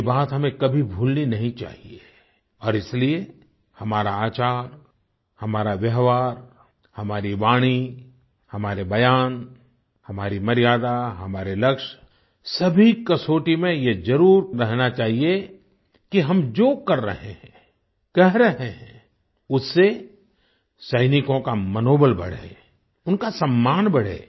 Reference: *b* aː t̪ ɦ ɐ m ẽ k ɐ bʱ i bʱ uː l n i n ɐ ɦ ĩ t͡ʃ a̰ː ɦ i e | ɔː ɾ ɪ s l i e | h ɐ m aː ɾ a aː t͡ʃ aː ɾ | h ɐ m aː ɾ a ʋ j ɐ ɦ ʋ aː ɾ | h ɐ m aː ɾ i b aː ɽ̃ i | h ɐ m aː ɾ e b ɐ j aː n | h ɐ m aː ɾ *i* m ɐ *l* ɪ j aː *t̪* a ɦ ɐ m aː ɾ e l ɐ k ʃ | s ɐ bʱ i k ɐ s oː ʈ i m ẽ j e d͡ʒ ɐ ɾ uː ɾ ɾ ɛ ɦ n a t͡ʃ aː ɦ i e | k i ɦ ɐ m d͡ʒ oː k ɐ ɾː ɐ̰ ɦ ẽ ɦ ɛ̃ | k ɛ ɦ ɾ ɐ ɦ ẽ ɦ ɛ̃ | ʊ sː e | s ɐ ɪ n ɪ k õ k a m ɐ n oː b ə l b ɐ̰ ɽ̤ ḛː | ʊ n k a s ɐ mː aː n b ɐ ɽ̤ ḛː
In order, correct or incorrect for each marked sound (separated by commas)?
correct, correct, incorrect, incorrect